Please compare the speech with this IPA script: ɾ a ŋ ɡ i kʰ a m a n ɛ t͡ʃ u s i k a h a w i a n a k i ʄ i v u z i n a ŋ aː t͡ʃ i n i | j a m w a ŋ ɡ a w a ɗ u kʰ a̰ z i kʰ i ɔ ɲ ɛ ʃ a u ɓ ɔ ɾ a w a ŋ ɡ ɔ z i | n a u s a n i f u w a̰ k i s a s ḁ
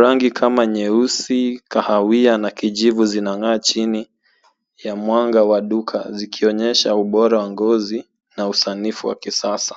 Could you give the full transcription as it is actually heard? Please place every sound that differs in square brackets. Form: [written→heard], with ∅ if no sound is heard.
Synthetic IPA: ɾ a ŋ ɡ i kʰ a m a [n→ɲ] ɛ [t͡ʃ→∅] u s i k a h a w i a n a k i ʄ i v u z i n a ŋ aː t͡ʃ i n i | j a m w a ŋ ɡ a w a ɗ u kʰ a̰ z i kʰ i ɔ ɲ ɛ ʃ a u ɓ ɔ ɾ a w a ŋ ɡ ɔ z i | n a u s a n i f u w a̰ k i s a s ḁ